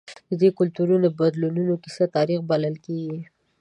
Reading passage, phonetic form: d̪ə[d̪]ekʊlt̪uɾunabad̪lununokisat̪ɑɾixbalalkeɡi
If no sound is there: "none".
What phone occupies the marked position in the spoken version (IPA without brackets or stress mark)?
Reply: d̪